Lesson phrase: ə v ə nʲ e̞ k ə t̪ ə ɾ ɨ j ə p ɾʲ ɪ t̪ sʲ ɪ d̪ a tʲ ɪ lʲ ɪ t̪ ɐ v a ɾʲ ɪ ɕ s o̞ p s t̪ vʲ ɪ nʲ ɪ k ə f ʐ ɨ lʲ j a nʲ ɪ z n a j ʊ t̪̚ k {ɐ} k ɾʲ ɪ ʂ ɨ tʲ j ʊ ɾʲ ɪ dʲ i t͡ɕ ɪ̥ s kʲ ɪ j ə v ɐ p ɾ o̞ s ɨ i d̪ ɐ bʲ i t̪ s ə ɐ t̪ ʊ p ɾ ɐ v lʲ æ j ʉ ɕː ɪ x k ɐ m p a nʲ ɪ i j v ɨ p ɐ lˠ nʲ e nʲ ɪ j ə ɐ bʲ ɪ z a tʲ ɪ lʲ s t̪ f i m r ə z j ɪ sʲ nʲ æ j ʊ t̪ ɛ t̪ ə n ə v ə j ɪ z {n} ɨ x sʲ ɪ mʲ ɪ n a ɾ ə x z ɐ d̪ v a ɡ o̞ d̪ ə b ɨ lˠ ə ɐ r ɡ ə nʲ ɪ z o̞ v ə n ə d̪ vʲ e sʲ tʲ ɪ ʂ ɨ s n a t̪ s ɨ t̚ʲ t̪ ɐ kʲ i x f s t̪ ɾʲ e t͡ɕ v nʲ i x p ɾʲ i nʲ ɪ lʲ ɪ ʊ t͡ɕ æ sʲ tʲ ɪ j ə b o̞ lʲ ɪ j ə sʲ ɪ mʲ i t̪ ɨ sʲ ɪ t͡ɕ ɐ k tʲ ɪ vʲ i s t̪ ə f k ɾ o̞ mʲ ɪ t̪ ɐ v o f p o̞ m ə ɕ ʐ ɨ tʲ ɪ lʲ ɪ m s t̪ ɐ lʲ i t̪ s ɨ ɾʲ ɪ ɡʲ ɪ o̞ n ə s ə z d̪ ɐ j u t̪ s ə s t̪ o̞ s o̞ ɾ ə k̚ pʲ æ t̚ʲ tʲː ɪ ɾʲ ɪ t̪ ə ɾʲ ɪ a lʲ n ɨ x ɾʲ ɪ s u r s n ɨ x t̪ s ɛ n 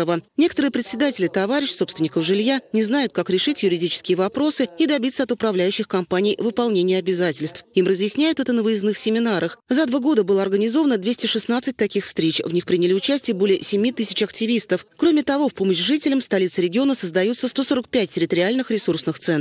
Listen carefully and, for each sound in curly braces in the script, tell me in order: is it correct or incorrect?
incorrect: a, correct

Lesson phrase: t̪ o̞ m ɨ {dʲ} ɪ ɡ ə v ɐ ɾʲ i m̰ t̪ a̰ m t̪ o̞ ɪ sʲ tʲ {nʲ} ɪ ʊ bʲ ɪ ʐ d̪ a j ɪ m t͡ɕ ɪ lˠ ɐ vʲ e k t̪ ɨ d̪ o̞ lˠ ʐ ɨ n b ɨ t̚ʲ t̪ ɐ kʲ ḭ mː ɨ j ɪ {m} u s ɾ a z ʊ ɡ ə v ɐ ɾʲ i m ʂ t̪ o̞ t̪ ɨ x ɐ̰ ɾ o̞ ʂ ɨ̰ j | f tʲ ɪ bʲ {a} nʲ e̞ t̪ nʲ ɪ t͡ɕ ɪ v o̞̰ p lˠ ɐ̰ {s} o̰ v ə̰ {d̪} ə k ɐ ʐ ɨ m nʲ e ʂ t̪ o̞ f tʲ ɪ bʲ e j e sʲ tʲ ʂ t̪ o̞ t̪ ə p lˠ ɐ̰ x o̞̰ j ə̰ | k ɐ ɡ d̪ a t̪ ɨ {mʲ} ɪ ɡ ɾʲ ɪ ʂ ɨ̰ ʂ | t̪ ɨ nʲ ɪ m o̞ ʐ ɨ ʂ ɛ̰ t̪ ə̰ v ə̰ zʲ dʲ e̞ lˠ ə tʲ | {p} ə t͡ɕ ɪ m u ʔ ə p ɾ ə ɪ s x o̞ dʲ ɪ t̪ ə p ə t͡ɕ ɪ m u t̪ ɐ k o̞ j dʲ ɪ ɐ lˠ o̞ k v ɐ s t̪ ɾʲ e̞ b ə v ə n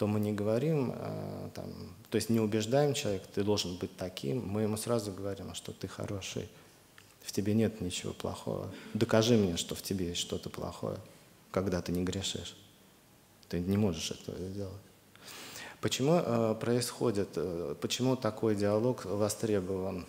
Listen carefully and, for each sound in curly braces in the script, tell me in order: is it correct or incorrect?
incorrect: nʲ, correct, correct, incorrect: e, incorrect: x, correct, incorrect: nʲ, correct

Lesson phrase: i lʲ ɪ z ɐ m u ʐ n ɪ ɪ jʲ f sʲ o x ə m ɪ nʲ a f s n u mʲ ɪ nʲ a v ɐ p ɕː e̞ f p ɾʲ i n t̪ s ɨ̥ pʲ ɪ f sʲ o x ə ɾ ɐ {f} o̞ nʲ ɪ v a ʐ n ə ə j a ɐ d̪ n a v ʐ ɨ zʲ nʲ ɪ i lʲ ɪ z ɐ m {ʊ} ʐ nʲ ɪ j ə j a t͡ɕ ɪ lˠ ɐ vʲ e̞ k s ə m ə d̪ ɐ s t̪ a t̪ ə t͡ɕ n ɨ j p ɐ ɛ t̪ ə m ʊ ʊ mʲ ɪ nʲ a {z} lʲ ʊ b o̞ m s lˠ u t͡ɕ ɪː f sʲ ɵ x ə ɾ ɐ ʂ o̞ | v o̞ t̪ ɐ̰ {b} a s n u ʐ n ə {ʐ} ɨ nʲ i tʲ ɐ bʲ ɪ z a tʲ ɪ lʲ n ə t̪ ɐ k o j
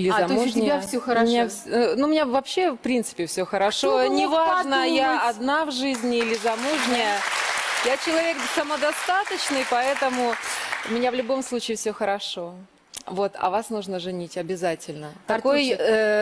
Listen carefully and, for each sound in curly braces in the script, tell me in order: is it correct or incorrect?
incorrect: ʂ, incorrect: u, incorrect: v, incorrect: v, correct

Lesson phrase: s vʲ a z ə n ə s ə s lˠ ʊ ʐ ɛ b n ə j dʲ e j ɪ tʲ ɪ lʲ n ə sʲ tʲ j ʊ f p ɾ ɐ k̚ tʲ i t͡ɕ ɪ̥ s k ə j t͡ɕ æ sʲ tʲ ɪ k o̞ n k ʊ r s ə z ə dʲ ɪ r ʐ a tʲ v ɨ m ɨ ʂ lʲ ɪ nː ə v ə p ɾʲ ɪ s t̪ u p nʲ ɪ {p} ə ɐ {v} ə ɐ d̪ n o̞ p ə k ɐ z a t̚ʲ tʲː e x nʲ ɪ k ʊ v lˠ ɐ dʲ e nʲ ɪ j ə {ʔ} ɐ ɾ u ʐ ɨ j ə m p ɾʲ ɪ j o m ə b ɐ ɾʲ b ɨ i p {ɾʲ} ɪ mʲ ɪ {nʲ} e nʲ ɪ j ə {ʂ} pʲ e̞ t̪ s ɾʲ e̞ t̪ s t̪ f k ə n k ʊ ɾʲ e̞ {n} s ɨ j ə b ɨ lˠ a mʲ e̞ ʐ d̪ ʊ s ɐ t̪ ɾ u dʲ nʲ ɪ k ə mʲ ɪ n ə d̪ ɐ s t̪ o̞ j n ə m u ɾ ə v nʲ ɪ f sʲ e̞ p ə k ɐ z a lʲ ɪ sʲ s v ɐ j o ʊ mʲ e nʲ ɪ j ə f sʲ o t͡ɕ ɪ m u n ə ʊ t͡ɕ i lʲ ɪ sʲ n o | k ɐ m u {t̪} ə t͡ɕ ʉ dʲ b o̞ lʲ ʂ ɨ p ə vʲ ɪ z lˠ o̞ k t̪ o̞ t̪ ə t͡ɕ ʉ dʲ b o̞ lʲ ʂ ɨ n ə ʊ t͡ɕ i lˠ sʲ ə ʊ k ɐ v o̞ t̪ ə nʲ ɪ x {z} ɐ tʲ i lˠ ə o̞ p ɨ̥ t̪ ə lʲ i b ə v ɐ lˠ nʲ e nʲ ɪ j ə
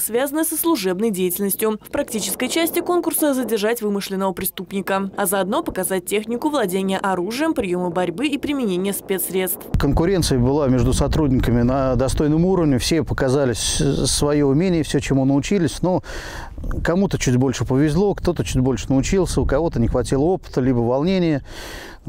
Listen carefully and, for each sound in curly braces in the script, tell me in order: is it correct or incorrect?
incorrect: k, incorrect: z, correct, correct, correct, incorrect: s, correct, correct, incorrect: v

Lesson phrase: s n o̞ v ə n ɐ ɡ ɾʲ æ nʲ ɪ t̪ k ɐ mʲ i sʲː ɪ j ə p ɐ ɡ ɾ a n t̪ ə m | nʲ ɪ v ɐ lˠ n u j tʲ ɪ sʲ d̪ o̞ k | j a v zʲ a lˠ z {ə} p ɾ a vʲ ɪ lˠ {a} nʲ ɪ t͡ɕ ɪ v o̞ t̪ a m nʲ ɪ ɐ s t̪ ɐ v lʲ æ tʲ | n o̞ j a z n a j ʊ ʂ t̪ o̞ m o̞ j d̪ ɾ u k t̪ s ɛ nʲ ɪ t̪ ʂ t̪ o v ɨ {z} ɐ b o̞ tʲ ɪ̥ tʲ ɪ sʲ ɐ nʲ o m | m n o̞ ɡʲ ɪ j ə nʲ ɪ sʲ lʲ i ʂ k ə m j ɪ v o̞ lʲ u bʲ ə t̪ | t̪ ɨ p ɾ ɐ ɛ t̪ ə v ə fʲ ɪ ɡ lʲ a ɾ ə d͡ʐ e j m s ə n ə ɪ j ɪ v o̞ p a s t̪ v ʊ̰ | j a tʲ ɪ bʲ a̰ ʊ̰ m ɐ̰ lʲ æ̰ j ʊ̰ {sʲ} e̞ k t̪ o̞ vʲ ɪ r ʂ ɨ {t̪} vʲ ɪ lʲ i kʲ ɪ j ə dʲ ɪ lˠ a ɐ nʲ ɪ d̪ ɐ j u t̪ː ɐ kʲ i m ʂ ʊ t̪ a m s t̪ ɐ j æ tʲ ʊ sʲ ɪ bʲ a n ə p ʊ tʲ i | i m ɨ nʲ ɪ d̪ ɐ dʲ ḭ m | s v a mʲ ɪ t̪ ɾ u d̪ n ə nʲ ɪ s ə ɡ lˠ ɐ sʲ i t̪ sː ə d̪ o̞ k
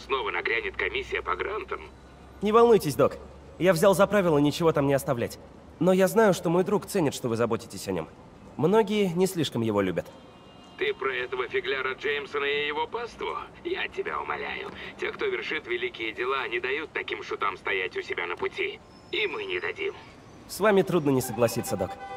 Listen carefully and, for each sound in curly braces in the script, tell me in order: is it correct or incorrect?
incorrect: ɐ, incorrect: ə, correct, incorrect: tʲ, correct

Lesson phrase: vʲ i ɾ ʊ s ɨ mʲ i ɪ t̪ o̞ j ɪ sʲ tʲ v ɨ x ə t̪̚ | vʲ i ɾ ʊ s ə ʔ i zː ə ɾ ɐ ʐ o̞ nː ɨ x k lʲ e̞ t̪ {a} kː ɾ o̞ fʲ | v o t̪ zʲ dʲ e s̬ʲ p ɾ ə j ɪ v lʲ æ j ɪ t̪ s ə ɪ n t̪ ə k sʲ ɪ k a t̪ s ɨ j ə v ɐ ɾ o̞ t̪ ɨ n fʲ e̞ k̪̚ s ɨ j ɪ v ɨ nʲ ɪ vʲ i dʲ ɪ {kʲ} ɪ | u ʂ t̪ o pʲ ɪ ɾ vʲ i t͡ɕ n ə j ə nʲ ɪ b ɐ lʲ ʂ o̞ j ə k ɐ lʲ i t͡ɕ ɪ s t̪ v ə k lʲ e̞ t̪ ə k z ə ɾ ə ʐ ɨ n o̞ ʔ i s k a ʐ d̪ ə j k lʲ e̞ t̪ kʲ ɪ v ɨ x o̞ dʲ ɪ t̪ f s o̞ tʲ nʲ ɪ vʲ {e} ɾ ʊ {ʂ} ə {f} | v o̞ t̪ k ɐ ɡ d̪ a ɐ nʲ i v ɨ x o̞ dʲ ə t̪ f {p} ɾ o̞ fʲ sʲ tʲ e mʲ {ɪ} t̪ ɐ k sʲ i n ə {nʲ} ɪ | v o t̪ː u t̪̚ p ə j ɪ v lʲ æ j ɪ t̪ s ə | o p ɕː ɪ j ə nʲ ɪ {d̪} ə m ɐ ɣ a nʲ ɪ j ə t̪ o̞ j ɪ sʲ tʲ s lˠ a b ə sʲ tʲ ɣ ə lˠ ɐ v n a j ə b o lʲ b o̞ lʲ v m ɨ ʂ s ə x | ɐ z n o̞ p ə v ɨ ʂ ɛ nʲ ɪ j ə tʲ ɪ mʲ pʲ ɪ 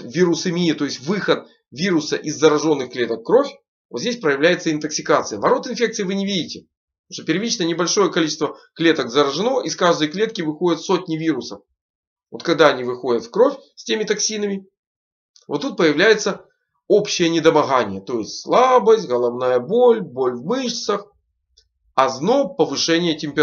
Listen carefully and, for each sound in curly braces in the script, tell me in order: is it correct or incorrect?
incorrect: ə, incorrect: tʲ, incorrect: i, incorrect: s, correct, incorrect: k, correct, incorrect: mʲ, correct

